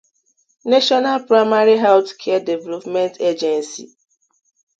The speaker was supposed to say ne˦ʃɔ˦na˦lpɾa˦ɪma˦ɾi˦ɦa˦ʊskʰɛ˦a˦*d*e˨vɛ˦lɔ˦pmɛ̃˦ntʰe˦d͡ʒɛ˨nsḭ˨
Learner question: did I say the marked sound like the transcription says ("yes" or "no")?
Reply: yes